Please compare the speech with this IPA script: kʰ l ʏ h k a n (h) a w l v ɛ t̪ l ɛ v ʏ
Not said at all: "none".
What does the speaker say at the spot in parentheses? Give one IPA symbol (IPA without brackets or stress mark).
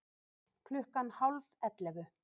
h